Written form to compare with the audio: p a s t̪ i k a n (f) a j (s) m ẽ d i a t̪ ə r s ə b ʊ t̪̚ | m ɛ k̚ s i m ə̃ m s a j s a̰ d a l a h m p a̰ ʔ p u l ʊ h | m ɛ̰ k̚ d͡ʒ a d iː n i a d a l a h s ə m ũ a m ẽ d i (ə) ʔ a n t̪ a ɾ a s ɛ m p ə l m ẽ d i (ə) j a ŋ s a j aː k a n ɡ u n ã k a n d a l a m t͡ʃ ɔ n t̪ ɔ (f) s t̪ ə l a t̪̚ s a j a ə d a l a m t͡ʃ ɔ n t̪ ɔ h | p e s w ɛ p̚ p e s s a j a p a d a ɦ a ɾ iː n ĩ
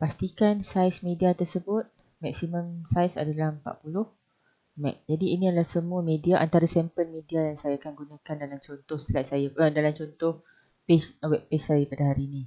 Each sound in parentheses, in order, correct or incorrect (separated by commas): incorrect, correct, incorrect, incorrect, incorrect